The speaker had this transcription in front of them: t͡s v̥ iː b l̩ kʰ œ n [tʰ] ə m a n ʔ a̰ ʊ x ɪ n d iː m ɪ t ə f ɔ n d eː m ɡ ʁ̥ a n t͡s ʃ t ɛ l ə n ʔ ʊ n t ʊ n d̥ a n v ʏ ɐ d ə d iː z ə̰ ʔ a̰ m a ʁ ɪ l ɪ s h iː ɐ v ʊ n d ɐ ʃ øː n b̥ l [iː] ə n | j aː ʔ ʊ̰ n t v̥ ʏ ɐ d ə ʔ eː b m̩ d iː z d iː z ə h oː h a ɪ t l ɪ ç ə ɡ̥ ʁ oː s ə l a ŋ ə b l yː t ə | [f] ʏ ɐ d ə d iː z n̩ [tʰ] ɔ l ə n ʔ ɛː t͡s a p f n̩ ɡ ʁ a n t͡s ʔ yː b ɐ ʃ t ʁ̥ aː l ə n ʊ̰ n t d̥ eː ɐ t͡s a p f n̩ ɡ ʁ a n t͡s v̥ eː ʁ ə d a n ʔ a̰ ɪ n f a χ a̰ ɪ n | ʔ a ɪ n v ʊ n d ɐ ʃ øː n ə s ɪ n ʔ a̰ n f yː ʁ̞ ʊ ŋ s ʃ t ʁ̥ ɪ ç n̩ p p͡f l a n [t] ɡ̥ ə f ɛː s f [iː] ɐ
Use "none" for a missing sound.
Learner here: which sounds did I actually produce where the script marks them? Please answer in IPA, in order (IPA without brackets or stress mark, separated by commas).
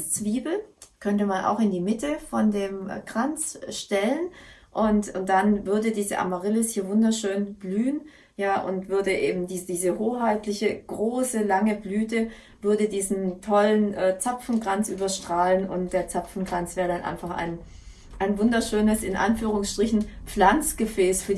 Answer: t, yː, v, tʰ, t͡s, yː